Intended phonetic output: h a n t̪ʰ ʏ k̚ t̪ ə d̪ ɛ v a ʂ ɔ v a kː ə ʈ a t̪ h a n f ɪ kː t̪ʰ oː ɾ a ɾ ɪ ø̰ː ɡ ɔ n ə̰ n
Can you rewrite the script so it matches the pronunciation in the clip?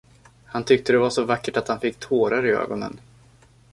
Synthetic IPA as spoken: h a n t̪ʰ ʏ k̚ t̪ ə d̪ ɛ v a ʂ ɔ v a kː ə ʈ a t̪ h a n f ɪ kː t̪ʰ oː ɾ a ɾ ɪ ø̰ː ɡ ɔ n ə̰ n